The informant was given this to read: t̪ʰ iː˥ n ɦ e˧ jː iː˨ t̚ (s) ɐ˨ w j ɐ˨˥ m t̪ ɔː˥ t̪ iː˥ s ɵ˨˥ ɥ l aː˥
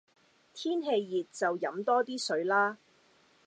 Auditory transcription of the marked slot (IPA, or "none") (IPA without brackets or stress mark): t͡s